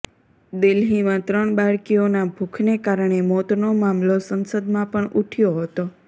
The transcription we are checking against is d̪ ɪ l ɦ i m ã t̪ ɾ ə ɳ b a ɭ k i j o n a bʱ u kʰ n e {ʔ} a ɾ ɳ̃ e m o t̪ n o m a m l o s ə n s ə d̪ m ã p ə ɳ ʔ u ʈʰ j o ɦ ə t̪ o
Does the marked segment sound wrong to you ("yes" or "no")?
yes